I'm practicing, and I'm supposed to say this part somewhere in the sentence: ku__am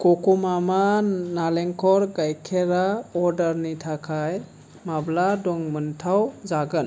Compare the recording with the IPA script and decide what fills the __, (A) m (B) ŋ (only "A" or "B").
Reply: A